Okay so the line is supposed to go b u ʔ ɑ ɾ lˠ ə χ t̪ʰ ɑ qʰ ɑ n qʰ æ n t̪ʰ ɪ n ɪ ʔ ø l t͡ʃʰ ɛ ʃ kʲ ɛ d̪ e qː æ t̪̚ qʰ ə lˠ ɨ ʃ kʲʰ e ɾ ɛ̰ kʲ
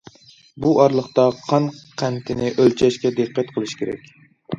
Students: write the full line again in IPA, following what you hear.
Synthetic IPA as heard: b u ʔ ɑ ɾ lˠ ə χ t̪ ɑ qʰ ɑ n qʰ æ n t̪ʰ ɪ n ɪ ʔ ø l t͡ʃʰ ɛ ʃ kʲ ɛ d̪ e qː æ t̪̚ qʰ ə lˠ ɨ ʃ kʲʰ e ɾ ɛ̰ kʲ